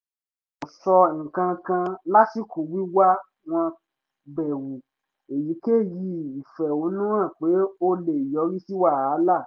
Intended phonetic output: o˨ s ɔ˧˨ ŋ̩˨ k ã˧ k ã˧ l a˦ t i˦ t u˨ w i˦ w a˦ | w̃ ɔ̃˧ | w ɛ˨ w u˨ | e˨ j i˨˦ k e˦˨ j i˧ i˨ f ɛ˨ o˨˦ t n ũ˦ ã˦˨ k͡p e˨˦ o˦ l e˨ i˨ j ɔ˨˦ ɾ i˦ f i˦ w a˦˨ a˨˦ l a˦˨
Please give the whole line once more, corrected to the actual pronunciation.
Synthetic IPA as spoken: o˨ s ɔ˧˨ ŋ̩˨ k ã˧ k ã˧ l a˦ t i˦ k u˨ w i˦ w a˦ | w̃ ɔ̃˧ | b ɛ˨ w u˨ | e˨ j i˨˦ k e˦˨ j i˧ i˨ f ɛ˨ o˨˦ n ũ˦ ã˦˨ k͡p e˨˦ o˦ l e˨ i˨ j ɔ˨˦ ɾ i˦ s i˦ w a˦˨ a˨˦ l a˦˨